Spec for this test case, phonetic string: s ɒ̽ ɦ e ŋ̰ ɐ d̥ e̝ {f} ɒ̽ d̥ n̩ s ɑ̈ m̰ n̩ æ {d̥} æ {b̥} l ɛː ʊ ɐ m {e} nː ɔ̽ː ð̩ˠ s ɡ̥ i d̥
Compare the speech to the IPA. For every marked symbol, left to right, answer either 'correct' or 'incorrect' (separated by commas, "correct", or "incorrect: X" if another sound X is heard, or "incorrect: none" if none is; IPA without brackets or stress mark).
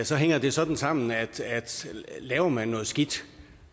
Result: incorrect: s, correct, incorrect: d̥, incorrect: æ